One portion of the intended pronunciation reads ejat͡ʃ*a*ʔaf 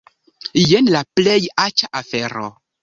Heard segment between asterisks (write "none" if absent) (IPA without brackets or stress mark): a